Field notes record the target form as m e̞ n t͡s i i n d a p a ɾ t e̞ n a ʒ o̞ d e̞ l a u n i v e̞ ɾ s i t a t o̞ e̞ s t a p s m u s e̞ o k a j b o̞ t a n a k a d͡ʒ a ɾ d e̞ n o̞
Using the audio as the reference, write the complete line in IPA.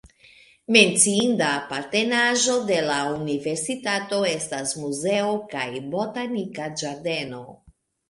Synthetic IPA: m e̞ n t͡s i i n d a p a ɾ t e̞ n a ʒ o̞ d e̞ l a u n i v e̞ ɾ s i t a t o̞ e̞ s t a s m u z e̞ o k a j b o̞ t a n i k a d͡ʒ a ɾ d e̞ n o̞